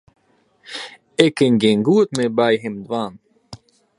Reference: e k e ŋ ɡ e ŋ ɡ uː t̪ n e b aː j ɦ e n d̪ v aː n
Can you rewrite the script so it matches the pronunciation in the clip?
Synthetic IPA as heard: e k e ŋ ɡ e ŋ ɡ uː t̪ m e b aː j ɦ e m d̪ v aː n